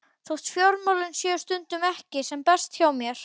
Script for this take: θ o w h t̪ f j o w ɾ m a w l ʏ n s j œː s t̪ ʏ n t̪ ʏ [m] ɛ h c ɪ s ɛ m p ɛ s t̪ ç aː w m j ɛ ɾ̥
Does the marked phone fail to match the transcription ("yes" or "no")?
no